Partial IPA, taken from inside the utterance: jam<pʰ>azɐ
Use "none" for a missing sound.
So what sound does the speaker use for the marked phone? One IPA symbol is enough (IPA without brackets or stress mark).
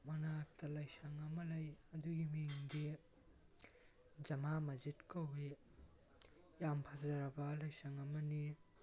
pʰ